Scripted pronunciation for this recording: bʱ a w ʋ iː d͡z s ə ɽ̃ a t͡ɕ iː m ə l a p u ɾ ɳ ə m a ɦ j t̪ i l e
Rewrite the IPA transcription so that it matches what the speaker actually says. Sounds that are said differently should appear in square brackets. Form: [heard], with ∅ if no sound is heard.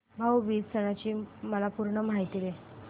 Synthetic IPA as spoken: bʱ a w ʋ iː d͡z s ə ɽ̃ a t͡ɕ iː m ə l a p u ɾ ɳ ə m a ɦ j t̪ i l e